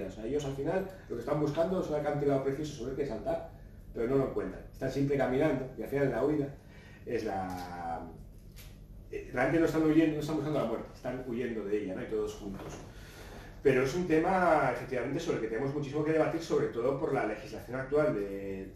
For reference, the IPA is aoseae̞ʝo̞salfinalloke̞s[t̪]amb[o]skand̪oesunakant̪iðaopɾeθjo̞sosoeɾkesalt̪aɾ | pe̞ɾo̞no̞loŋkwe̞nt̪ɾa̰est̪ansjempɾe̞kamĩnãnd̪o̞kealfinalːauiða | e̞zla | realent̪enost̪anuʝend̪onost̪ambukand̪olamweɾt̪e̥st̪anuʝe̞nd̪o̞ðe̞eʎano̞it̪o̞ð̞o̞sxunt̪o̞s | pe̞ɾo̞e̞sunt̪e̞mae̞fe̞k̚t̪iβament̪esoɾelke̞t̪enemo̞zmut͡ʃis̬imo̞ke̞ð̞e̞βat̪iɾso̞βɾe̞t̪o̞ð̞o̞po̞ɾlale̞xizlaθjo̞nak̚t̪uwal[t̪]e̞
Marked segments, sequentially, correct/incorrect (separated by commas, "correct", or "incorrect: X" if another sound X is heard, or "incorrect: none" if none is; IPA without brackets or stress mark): correct, incorrect: u, incorrect: d̪